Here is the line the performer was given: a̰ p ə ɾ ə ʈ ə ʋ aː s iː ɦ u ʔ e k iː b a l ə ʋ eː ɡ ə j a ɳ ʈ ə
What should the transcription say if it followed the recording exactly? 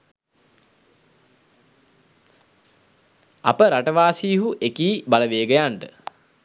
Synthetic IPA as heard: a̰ p ə ɾ a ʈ ə ʋ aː s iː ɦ u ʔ e k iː b a l ə ʋ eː ɡ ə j a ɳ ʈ ə